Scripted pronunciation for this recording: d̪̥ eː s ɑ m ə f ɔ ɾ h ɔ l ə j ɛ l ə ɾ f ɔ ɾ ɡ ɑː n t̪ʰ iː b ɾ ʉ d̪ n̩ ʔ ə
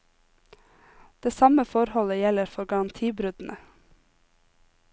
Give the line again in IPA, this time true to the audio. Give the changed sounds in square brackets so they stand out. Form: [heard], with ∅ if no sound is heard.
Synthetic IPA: d̪̥ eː s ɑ m ə f ɔ ɾ h ɔ l ə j ɛ l ə ɾ f ɔ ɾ ɡ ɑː n t̪ʰ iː b ɾ ʉ d̪ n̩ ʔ ə